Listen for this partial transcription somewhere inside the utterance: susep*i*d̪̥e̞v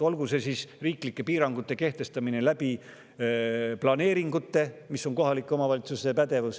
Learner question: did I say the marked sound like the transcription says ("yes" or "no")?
no